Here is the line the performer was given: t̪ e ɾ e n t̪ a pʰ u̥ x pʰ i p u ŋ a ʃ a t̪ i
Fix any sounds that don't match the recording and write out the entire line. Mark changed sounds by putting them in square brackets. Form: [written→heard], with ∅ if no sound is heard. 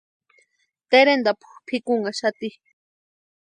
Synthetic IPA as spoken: t̪ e ɾ e n [t̪→d̪] a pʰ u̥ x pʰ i [p→k] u ŋ a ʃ a t̪ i